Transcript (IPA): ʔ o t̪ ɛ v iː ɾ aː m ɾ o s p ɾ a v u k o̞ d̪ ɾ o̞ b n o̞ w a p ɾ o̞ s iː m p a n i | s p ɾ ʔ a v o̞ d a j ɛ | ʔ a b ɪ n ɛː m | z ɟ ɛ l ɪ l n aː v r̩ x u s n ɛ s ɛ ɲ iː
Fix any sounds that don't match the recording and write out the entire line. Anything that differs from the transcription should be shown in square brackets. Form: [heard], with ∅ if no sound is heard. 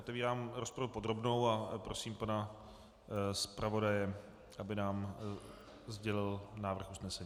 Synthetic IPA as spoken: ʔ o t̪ ɛ v iː ɾ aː m ɾ o s p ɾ a v u [p] o̞ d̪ ɾ o̞ b n o̞ w a p ɾ o̞ s iː m p a n [a] | s p ɾ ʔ a v o̞ d a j ɛ | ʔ a b ɪ n [aː] m | z ɟ ɛ l ɪ l n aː v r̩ x u s n ɛ s ɛ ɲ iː